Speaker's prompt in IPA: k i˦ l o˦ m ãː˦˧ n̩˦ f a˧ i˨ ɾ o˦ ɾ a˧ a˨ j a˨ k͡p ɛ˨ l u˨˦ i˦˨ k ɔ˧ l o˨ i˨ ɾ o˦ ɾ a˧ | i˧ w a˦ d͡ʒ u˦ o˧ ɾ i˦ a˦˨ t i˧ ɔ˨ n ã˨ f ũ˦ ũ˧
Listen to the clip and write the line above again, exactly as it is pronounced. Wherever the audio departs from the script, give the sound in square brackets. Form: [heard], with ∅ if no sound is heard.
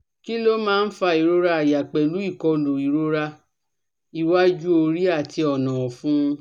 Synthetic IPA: k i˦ l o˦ m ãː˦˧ n̩˦ f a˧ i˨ ɾ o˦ ɾ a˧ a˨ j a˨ k͡p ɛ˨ l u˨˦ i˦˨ k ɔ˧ l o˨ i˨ ɾ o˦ ɾ a˧ | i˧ w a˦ d͡ʒ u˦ o˧ ɾ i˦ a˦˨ t i˧ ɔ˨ n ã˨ f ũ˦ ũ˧